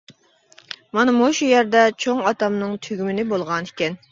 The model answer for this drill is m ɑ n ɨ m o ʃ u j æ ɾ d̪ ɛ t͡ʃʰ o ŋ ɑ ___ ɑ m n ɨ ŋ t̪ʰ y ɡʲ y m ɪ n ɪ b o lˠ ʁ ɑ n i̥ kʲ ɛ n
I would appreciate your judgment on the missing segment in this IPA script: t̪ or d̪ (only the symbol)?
t̪